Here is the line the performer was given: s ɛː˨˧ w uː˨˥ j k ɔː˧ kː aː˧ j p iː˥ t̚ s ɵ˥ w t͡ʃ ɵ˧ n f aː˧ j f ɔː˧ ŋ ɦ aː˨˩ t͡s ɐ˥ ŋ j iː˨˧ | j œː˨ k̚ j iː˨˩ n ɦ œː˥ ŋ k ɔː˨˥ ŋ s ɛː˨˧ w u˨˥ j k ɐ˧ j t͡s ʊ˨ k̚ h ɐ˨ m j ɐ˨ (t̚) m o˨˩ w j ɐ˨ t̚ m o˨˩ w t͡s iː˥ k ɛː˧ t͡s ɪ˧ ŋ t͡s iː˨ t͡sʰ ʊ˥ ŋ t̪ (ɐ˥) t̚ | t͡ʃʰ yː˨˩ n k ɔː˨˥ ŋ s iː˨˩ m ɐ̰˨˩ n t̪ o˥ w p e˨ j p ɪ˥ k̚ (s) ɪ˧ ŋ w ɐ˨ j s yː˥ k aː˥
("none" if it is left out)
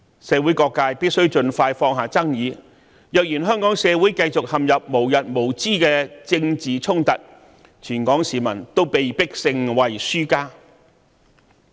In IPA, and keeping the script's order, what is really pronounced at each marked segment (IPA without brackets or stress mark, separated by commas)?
p̚, ɐ˨, s